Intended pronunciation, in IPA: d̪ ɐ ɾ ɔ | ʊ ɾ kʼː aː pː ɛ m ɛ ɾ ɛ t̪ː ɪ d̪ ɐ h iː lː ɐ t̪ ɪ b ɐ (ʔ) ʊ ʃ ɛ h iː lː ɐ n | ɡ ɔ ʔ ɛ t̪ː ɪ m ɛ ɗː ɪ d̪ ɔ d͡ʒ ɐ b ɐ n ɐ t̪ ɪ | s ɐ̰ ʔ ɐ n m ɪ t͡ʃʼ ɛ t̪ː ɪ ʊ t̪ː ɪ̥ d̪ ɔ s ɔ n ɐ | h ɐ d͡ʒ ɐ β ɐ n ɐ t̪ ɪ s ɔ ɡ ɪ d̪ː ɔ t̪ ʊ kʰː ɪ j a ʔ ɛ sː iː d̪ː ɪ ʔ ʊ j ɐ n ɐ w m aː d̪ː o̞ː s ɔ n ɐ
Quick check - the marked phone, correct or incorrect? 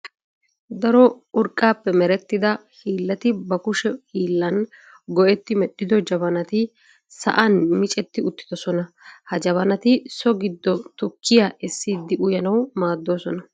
incorrect